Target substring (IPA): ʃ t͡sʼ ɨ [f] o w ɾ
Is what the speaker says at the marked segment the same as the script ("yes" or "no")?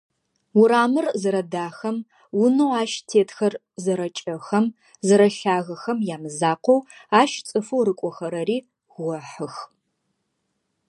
yes